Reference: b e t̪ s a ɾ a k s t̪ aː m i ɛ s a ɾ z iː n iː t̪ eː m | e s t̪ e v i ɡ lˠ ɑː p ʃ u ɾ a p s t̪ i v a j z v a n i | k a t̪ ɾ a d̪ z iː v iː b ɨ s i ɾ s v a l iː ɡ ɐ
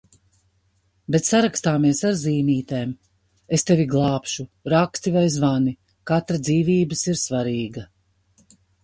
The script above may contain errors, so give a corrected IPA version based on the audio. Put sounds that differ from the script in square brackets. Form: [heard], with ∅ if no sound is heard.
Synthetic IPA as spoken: b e t̪ s a ɾ a k s t̪ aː m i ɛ s a ɾ z iː n iː t̪ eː m | e s t̪ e v i ɡ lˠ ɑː p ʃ u ɾ a [k] s t̪ i v a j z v a n i | k a t̪ ɾ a d̪ z iː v iː b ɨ s i ɾ s v a [ɾ] iː ɡ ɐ